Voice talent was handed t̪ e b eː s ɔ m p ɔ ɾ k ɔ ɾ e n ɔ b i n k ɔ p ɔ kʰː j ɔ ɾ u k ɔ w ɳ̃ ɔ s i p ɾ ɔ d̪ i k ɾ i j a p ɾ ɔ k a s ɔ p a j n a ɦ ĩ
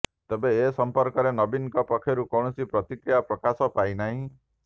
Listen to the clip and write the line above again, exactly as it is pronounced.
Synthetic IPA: t̪ e b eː s ɔ m p ɔ ɾ k ɔ ɾ e n ɔ b i n k ɔ p ɔ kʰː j ɔ ɾ u k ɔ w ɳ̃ ɔ s i p ɾ ɔ t̪ i k ɾ i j a p ɾ ɔ k a s ɔ p a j n a ɦ ĩ